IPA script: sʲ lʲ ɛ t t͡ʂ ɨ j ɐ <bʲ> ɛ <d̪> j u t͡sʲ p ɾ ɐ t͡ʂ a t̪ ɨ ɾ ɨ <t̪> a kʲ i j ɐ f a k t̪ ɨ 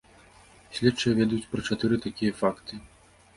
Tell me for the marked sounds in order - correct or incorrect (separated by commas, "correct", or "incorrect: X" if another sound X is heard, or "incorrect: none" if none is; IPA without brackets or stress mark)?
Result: incorrect: vʲ, correct, correct